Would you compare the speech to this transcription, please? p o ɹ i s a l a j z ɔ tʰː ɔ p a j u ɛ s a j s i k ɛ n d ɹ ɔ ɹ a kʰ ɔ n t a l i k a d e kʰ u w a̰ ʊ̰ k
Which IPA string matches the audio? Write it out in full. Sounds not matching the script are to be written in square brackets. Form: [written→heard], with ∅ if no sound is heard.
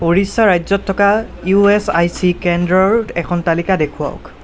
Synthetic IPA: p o ɹ i s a [l→ɹ] a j z ɔ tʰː ɔ [p→k] a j u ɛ s a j s i k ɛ n d ɹ ɔ ɹ [a→ɛ] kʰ ɔ n t a l i k a d e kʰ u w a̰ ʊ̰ k